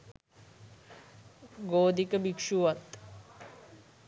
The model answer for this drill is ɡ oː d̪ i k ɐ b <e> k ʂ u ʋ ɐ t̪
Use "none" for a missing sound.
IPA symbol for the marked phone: i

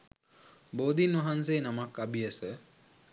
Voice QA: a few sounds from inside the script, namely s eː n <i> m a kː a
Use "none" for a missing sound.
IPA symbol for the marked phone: a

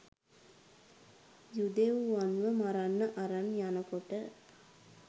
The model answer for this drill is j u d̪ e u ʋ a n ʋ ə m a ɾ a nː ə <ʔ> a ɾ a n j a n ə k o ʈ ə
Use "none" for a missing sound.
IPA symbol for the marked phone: ʔ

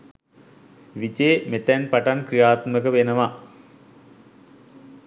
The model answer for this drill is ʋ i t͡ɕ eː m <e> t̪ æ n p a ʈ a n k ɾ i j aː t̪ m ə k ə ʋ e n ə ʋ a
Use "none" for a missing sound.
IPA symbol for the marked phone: e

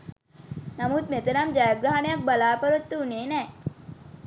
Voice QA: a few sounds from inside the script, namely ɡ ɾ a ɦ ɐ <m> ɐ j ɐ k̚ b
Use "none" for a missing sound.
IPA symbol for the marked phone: n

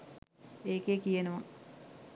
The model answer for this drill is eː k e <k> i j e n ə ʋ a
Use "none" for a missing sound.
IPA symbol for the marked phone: k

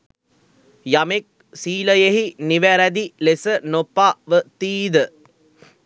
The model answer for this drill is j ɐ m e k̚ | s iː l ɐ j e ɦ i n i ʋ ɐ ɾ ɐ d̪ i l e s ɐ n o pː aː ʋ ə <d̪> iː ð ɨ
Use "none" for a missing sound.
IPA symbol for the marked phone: t̪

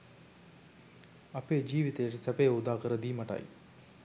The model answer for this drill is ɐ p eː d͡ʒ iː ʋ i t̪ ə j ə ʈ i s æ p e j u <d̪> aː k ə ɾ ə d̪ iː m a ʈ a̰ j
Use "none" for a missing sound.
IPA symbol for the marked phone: d̪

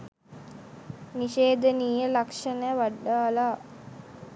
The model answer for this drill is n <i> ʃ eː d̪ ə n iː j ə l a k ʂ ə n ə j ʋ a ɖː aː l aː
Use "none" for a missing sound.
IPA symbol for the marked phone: i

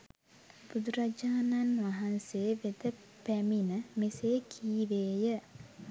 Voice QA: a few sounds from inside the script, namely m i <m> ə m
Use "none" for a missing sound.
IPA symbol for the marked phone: n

